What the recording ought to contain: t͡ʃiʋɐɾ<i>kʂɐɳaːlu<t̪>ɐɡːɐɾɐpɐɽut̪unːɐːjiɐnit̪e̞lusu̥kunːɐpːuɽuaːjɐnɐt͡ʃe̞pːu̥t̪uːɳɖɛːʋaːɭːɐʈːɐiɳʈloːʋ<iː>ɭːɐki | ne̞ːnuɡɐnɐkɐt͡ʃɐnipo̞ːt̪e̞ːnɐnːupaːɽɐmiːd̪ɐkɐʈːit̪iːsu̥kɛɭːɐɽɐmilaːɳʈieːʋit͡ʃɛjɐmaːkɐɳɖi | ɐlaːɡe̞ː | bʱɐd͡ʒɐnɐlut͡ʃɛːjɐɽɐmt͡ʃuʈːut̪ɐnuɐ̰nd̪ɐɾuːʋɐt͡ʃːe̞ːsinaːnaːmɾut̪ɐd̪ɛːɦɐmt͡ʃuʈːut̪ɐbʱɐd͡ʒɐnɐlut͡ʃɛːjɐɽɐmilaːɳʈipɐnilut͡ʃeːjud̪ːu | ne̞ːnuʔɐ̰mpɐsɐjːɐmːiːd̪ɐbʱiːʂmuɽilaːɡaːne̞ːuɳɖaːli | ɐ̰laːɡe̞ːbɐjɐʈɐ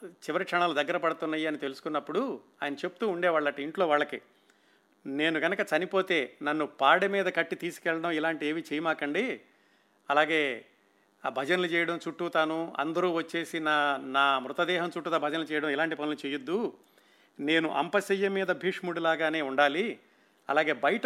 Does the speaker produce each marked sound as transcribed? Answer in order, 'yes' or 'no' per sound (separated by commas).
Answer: yes, no, no